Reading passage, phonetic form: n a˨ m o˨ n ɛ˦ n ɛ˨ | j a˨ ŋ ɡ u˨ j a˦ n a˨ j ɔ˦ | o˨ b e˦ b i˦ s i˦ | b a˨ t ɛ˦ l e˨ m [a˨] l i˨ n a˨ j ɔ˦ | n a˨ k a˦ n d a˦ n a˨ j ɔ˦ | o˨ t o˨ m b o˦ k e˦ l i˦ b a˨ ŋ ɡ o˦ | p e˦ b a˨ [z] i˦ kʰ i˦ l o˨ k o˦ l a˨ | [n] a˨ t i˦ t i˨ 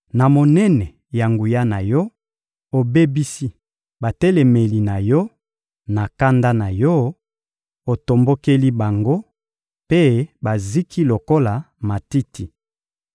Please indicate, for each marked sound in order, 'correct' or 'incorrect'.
incorrect: e˨, correct, incorrect: m

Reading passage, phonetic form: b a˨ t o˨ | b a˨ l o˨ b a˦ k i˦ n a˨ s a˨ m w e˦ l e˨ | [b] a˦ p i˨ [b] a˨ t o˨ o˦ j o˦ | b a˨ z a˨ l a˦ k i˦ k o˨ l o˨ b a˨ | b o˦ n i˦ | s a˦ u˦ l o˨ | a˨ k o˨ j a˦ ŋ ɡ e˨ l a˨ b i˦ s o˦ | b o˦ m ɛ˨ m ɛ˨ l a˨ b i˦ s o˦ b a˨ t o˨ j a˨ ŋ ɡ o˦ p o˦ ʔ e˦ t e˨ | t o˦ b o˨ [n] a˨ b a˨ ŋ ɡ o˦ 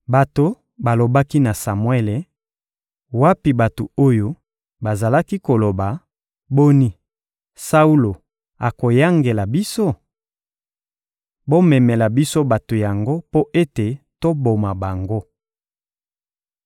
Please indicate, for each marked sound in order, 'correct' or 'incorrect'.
incorrect: w, correct, incorrect: m

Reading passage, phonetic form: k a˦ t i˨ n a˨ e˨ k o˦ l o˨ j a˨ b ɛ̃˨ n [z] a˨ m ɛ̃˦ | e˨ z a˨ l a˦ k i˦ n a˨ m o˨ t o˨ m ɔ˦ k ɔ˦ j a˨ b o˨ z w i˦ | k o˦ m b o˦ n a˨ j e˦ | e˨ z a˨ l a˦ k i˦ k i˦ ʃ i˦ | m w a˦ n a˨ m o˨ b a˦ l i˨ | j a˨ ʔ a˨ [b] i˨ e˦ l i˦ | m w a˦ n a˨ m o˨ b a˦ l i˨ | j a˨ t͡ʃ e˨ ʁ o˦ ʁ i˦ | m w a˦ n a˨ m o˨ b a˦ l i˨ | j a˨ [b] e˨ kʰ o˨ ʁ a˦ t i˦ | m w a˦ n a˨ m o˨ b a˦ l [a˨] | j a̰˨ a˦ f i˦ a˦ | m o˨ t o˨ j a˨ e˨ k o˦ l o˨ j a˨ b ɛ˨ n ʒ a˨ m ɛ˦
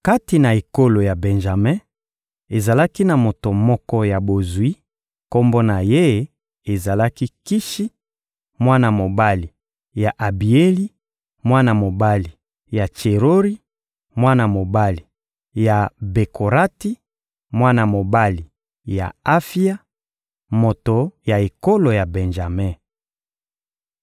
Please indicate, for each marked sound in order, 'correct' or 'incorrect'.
incorrect: ʒ, correct, correct, incorrect: i˨

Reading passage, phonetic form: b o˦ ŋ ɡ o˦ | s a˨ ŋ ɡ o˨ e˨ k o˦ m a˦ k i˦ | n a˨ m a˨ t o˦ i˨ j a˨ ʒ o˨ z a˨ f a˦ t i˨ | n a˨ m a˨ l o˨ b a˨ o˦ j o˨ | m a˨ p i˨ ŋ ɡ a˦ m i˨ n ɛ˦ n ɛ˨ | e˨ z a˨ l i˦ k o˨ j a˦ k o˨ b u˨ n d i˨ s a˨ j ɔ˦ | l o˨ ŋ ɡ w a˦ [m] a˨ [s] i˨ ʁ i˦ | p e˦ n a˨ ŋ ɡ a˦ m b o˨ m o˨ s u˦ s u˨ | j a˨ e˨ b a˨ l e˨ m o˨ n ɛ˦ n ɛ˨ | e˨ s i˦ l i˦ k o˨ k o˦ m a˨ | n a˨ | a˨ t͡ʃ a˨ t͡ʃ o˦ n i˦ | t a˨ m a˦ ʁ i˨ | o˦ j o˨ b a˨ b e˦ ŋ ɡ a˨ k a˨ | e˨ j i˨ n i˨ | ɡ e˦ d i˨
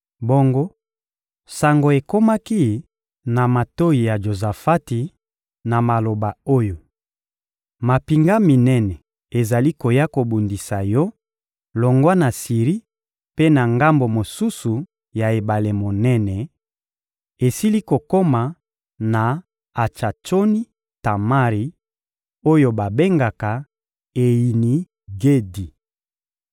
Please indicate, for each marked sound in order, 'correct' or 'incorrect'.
incorrect: n, correct

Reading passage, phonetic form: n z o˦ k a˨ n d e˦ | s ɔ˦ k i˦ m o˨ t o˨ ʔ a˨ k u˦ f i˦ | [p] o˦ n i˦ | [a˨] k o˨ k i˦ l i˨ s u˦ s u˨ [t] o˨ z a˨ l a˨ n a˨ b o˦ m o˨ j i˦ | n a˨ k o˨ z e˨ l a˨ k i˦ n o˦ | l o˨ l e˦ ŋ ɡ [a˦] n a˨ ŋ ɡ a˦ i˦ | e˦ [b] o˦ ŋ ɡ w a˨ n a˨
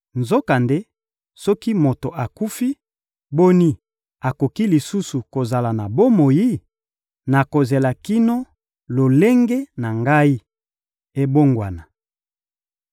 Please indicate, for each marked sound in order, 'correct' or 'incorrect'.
incorrect: b, correct, incorrect: k, incorrect: e˦, correct

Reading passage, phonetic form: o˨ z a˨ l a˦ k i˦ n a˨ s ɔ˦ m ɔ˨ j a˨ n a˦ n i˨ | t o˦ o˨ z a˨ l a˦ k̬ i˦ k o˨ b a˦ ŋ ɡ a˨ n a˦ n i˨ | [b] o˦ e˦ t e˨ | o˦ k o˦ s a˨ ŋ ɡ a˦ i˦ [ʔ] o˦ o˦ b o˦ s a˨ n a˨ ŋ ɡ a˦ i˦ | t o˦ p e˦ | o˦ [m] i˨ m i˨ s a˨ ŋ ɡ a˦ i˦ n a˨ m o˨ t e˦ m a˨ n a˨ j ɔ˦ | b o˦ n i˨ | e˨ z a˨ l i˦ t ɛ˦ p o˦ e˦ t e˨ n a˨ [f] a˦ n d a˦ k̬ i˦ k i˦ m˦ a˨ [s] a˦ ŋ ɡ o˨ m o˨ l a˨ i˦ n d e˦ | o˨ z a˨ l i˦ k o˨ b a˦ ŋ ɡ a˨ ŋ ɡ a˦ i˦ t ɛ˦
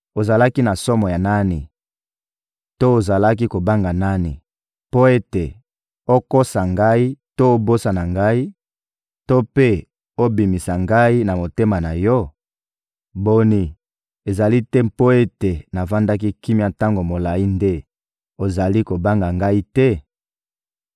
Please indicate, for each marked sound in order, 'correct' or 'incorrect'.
incorrect: p, incorrect: t, incorrect: b, incorrect: v, incorrect: t

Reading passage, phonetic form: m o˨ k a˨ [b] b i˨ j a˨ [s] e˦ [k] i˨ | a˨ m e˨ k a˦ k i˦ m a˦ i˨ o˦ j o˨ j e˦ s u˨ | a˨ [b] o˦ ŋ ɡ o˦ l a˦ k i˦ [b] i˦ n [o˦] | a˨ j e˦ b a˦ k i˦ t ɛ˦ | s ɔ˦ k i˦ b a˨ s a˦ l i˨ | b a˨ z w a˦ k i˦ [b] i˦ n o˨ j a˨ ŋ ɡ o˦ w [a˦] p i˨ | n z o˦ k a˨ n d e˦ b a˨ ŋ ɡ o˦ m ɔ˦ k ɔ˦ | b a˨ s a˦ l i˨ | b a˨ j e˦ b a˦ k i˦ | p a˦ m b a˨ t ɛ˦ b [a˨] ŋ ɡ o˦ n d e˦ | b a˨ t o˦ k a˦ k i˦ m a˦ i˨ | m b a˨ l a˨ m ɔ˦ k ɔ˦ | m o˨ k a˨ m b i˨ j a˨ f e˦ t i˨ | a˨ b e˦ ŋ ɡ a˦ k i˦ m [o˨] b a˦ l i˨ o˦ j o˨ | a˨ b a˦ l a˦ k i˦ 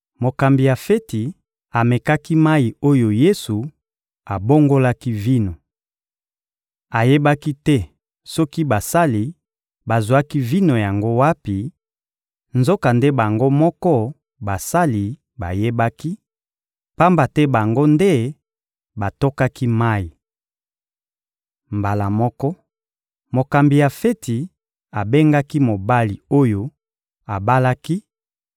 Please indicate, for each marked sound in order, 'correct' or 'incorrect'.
incorrect: m, incorrect: f, incorrect: t, correct, incorrect: v, incorrect: o˨, incorrect: v, correct, correct, correct

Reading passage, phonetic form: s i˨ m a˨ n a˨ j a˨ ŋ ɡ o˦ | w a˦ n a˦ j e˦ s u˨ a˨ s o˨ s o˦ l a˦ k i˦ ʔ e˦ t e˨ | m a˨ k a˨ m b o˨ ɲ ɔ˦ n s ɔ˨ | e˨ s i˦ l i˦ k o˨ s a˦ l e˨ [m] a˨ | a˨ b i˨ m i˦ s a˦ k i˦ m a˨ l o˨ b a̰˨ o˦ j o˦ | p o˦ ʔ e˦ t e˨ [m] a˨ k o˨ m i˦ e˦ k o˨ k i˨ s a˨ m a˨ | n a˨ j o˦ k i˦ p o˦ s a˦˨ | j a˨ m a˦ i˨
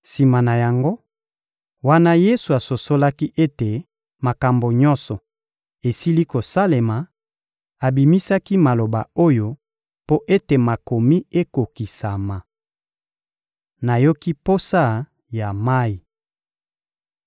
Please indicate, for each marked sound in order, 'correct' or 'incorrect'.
correct, correct

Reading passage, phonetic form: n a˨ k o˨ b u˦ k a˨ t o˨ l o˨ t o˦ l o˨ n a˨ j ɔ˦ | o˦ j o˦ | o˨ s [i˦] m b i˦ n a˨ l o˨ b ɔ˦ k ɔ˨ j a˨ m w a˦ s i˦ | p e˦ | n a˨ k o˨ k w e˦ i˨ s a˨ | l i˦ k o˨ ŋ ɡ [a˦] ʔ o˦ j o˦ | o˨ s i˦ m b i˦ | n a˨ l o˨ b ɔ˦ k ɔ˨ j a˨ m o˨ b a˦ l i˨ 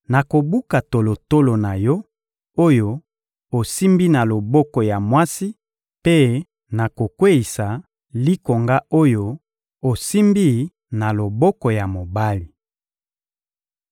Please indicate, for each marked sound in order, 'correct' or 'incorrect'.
correct, correct

